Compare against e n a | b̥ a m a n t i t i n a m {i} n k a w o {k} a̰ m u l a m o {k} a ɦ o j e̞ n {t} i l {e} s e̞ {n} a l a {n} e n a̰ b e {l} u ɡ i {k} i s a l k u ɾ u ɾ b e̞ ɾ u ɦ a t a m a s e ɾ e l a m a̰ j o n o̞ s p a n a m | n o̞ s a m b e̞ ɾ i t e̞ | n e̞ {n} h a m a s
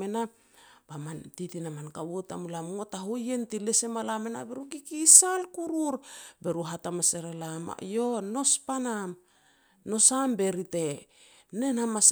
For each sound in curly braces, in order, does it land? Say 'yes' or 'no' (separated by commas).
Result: no, no, no, yes, yes, no, no, no, yes, yes